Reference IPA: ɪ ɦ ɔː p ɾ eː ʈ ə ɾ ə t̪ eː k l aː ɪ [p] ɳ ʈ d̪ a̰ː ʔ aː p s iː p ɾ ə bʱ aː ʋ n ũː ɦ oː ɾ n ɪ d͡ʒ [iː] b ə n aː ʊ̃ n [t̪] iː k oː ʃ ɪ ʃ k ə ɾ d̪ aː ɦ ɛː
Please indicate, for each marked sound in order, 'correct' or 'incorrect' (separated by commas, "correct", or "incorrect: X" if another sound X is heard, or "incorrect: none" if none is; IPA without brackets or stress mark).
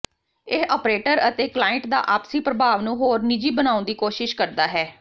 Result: incorrect: none, correct, incorrect: d̪